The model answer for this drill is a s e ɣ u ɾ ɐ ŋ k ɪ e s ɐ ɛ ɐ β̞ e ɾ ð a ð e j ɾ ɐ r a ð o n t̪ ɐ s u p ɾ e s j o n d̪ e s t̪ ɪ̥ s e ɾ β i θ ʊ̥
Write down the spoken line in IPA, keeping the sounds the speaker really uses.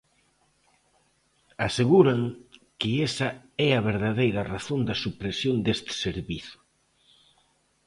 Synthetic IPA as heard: a s e ɣ u ɾ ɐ ŋ k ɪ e s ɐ ɛ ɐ β̞ e ɾ ð a ð e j ɾ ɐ r a θ o n d̪ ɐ s u p ɾ e s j o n d̪ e s t̪ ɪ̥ s e ɾ β i θ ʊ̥